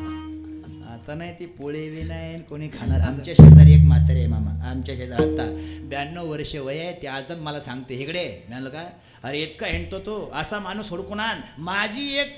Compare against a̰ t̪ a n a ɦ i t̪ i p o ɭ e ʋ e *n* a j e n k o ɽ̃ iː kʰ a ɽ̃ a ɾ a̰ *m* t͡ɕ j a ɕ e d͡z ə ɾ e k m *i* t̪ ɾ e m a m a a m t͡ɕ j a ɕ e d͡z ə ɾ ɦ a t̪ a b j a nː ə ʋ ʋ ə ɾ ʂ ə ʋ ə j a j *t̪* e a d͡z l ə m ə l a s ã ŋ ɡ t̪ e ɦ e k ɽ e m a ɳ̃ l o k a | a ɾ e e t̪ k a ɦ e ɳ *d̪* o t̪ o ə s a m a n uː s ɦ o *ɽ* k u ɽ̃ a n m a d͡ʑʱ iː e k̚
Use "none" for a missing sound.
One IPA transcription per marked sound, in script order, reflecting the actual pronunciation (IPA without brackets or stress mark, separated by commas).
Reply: n, m, a, t̪, t̪, ɽ